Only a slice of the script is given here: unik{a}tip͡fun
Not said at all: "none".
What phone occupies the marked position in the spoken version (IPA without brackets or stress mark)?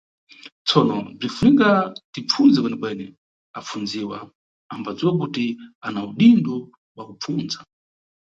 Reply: a